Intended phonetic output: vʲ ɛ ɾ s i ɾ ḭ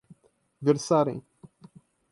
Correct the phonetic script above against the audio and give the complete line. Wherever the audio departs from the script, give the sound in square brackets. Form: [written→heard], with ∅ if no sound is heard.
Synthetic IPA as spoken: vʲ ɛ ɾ s [i→a] ɾ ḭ